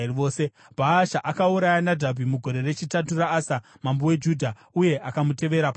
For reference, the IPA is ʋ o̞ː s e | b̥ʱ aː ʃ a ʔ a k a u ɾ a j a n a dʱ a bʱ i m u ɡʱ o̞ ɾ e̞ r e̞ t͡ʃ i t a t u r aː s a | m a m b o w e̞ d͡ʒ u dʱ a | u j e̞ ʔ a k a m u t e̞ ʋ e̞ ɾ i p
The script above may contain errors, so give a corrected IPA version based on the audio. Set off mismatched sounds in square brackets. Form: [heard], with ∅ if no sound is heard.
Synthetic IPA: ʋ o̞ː s e | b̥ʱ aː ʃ a ʔ a k a u ɾ a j a n a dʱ a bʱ i m u ɡʱ o̞ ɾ e̞ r e̞ t͡ʃ i t a t u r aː s a | m a m b o w e̞ d͡ʒ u dʱ a | u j e̞ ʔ a k a m u t e̞ ʋ e̞ ɾ [a] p